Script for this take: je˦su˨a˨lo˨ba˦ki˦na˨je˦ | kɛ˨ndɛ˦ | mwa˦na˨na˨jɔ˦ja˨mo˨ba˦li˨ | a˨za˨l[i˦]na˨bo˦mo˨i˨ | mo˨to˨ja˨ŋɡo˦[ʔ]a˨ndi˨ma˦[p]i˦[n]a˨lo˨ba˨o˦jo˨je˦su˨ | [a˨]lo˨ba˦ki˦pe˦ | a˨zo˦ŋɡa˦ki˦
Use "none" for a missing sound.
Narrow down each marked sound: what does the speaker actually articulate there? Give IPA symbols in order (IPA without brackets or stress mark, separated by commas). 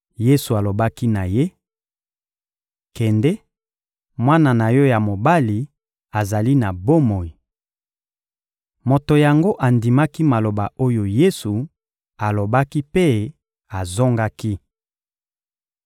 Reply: i˦, ʔ, k, m, a˨